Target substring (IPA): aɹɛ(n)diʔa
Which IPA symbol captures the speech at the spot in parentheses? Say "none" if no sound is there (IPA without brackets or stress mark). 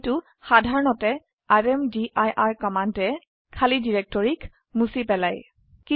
m